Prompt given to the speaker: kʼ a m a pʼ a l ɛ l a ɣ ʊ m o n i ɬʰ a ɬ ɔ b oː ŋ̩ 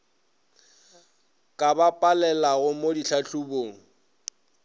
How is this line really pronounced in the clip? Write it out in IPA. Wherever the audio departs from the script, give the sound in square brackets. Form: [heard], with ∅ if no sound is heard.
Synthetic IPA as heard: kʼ a [b] a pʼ a l ɛ l a ɣ ʊ m o [d] i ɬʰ a ɬ [u] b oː ŋ̩